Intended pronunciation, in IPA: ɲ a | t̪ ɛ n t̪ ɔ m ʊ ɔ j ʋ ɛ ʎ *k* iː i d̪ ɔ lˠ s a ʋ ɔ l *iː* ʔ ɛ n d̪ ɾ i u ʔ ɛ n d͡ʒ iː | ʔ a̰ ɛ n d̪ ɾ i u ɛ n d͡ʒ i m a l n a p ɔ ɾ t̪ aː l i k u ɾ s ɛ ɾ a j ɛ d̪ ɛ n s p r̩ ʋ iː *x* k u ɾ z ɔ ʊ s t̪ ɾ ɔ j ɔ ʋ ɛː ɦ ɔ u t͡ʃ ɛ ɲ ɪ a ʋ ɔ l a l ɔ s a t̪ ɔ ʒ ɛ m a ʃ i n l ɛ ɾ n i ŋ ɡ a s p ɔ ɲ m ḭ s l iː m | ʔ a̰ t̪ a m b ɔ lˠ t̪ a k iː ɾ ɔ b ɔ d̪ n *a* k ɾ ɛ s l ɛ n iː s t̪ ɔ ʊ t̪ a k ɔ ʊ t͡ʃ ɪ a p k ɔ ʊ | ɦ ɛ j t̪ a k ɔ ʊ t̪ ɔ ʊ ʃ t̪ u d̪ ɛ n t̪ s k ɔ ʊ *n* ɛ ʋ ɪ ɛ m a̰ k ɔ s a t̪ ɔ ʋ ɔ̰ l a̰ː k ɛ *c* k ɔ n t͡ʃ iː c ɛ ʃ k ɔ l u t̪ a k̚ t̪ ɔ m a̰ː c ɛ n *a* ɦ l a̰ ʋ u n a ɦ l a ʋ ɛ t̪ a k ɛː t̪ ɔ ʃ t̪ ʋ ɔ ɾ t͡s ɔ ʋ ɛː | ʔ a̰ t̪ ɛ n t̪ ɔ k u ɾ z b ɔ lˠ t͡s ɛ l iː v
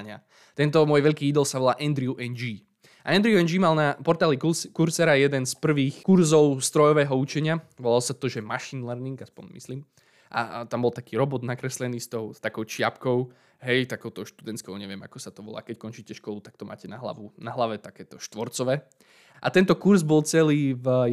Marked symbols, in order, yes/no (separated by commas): yes, no, yes, yes, no, yes, yes